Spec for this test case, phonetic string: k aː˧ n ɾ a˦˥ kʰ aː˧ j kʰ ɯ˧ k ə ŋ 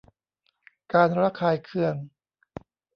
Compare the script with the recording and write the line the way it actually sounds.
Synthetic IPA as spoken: k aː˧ n ɾ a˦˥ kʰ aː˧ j kʰ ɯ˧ ə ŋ